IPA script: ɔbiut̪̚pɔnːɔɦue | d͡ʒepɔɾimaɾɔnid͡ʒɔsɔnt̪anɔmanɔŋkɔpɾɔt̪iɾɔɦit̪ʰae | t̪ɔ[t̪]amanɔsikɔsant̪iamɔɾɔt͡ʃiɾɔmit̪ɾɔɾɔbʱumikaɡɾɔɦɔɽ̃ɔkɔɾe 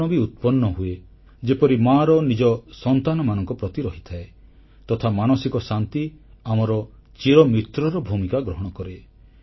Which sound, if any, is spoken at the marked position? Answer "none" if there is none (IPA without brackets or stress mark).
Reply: t̪ʰ